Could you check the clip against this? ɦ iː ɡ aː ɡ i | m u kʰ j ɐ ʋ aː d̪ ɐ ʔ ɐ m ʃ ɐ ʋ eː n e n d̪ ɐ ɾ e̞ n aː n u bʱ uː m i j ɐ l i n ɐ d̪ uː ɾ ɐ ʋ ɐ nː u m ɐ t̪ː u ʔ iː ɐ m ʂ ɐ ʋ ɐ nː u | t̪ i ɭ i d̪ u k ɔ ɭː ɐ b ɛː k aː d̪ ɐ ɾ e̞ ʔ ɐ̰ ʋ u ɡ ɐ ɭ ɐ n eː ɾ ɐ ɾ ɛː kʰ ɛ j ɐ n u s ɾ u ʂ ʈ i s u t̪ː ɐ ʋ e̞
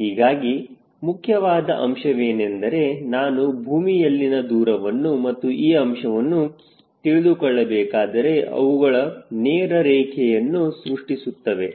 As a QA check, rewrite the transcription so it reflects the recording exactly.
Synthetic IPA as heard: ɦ iː ɡ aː ɡ i | m u kʰ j ɐ ʋ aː d̪ ɐ ʔ ɐ m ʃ ɐ ʋ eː n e n d̪ ɐ ɾ e̞ n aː n u bʱ uː m i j ɐ lː i n ɐ d̪ uː ɾ ɐ ʋ ɐ nː u m ɐ t̪ː u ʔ iː ɐ m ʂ ɐ ʋ ɐ nː u | t̪ i ɭ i d̪ u k ɔ ɭː ɐ b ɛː k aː d̪ ɐ ɾ e̞ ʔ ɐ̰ ʋ u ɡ ɐ ɭ ɐ n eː ɾ ɐ ɾ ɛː kʰ ɛ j ɐ nː u s ɾ u ʂ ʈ i s u t̪ː ɐ ʋ e̞